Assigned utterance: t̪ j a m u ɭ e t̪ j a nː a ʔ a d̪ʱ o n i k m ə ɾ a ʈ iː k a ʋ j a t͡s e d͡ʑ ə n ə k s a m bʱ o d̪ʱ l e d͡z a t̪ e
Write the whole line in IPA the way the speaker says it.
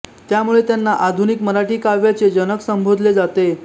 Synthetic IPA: t̪ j a m u ɭ e t̪ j a nː a ʔ a d̪ʱ u n i k m ə ɾ a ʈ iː k a ʋ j a t͡s e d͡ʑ ə n ə k s ə m bʱ o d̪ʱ l e d͡z a t̪ e